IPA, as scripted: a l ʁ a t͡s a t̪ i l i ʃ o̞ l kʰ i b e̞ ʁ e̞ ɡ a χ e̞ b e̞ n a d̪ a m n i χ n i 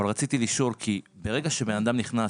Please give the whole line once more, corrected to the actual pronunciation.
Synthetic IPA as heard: a l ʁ a t͡s i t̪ i l i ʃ o̞ l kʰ i b e̞ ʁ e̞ ɡ a ʃ e̞ b e̞ n a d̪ a m n i χ n a